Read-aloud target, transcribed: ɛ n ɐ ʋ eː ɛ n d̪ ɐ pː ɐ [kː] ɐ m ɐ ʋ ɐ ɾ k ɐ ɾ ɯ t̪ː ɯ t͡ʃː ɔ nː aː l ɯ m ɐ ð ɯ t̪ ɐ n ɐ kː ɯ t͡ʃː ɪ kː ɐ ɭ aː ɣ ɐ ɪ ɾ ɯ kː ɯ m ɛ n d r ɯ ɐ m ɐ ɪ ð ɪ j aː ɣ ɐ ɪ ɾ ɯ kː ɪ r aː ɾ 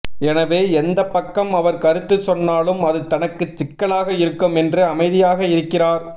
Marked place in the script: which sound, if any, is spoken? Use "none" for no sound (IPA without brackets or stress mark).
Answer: kː